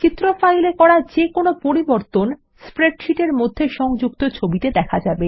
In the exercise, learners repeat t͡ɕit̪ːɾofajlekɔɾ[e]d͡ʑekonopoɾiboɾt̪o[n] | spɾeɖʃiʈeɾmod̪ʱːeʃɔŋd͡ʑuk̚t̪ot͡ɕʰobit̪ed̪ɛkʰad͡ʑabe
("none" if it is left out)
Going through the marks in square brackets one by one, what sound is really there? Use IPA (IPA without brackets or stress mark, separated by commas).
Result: a, n